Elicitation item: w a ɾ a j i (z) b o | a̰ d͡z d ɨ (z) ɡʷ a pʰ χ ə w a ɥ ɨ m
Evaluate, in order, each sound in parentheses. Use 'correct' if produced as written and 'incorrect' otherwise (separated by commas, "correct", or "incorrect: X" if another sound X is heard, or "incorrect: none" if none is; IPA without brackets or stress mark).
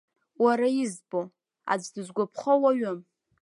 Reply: correct, correct